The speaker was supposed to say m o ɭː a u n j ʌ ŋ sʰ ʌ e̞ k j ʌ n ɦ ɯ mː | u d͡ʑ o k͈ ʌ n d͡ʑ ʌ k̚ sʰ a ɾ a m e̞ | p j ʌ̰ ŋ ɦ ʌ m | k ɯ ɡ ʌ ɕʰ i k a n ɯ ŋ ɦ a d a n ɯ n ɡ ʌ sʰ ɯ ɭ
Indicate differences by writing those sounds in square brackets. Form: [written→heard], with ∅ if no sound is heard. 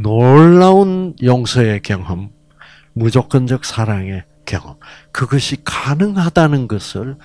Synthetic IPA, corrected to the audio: [m→n] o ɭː a u n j ʌ ŋ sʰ ʌ e̞ k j ʌ [n→ŋ] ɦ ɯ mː | u d͡ʑ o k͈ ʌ n d͡ʑ ʌ k̚ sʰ a ɾ a [m→ŋ] e̞ | [p→k] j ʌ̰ ŋ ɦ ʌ m | k ɯ ɡ ʌ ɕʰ i k a n ɯ ŋ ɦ a d a n ɯ n ɡ ʌ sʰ ɯ ɭ